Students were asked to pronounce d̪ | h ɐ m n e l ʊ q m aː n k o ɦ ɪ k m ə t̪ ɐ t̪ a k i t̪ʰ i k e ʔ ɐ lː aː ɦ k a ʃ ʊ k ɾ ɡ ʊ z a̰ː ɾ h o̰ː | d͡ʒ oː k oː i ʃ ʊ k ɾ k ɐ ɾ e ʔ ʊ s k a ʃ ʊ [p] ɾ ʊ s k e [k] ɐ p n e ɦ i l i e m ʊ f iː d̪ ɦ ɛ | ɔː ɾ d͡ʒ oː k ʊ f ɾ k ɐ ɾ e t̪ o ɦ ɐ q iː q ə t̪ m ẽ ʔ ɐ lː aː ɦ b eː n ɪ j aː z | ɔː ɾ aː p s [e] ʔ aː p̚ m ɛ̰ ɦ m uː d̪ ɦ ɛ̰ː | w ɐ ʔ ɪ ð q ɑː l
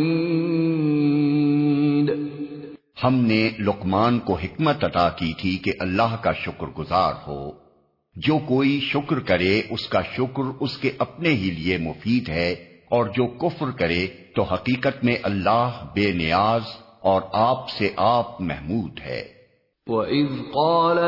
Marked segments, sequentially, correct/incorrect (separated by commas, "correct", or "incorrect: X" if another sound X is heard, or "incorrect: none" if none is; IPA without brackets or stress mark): incorrect: k, incorrect: ʔ, correct